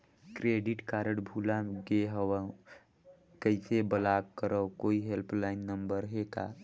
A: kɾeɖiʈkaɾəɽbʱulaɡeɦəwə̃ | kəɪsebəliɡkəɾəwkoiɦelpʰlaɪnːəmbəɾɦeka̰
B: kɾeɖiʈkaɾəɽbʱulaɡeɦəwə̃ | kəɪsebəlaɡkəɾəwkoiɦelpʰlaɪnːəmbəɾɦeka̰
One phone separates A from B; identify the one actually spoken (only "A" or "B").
B